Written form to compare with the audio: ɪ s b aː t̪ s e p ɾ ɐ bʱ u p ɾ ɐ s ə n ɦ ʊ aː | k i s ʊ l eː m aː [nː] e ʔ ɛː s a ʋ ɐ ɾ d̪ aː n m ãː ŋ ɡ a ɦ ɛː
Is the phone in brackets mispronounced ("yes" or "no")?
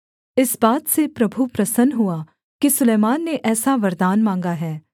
no